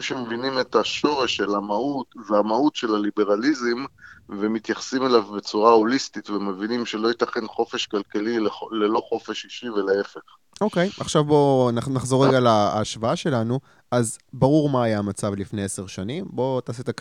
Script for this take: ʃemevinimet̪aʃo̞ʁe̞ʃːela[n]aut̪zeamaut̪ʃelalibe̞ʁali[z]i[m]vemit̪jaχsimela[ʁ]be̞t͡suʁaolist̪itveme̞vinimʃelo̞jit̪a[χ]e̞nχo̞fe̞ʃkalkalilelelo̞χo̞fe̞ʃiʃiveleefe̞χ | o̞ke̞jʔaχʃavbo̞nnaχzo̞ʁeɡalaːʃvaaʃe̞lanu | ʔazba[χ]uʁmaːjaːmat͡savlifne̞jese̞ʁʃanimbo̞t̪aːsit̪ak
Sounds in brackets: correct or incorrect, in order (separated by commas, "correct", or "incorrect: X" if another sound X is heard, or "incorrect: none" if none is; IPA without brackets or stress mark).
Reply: incorrect: m, correct, correct, incorrect: v, correct, incorrect: ʁ